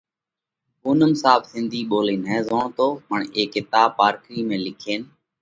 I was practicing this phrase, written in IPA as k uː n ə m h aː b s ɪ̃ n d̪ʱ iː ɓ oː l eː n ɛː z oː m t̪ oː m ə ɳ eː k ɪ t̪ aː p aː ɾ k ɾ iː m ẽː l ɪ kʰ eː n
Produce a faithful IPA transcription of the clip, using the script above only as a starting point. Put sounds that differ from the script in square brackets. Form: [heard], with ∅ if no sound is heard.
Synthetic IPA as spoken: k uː n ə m [s] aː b s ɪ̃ n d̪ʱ iː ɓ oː l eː n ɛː z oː [ɳ] t̪ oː m ə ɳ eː k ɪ t̪ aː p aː ɾ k ɾ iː m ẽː l ɪ kʰ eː n